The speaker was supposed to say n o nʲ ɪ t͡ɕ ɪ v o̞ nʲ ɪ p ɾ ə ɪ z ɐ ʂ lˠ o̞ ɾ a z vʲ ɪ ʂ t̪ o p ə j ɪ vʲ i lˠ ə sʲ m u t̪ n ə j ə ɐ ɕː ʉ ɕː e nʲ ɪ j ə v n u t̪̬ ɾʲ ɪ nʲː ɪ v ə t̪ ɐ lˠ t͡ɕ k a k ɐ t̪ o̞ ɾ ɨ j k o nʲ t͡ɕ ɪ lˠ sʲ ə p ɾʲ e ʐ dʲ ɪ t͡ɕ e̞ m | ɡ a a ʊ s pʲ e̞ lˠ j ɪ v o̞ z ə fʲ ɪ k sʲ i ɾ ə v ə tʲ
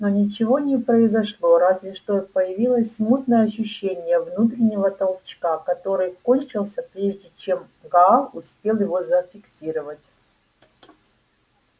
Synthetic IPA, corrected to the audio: n o nʲ ɪ t͡ɕ ɪ v o̞ nʲ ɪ p ɾ ə ɪ z ɐ ʂ lˠ o̞ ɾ a z vʲ ɪ ʂ t̪ o p ə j ɪ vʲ i lˠ ə sʲ m u t̪ n ə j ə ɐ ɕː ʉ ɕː e nʲ ɪ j ə v n u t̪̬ ɾʲ ɪ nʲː ɪ v ə t̪ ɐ lˠ t͡ɕ k a k ɐ t̪ o̞ ɾ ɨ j k o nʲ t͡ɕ ɪ lˠ sʲ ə p ɾʲ e ʐ dʲ ɪ t͡ɕ e̞ m | ɡ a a ʊ s pʲ e̞ lˠ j ɪ v o̞ z ə fʲ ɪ k sʲ i ɾ ə v ə tʲ